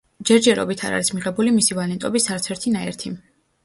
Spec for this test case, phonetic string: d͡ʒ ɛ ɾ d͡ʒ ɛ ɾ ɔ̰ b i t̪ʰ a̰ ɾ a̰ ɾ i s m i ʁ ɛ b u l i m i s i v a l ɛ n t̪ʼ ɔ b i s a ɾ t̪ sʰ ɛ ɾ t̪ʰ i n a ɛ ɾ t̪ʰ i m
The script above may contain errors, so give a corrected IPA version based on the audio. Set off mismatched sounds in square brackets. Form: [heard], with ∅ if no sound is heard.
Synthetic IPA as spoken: d͡ʒ ɛ ɾ d͡ʒ ɛ ɾ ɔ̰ b i t̪ʰ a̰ ɾ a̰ ɾ i s m i ʁ ɛ b u l i m i s i v a l ɛ n t̪ʼ ɔ b i s a ɾ t̪ sʰ ɛ ɾ t̪ʰ i n a ɛ ɾ t̪ʰ i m